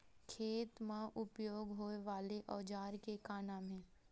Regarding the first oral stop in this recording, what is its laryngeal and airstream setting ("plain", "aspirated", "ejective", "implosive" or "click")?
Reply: aspirated